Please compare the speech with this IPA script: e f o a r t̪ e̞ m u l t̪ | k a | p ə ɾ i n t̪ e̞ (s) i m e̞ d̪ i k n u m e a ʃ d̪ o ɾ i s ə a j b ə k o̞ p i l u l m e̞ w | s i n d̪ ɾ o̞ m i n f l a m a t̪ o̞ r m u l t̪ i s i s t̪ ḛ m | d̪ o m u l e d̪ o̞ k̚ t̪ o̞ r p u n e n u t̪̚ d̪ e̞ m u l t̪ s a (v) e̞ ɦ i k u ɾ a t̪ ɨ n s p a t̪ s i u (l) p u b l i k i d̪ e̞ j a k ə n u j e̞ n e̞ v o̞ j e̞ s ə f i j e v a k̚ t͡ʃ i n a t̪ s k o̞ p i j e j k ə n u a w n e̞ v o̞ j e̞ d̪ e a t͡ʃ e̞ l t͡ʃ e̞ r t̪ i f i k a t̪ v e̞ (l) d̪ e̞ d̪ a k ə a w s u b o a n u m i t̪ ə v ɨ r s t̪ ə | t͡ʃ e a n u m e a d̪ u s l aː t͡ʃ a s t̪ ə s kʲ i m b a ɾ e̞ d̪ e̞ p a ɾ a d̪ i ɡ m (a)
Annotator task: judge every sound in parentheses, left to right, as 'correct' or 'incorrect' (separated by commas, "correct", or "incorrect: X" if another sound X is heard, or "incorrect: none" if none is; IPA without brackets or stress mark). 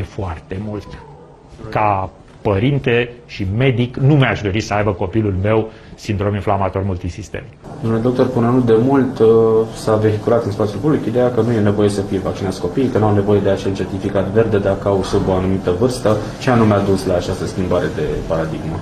incorrect: ʃ, correct, correct, incorrect: r, incorrect: ə